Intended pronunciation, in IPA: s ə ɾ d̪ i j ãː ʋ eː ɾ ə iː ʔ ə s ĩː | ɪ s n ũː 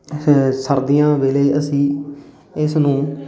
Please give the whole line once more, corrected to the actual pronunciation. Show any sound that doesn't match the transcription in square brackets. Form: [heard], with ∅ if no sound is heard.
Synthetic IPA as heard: s ə ɾ d̪ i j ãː ʋ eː [l] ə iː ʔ ə s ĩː | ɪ s n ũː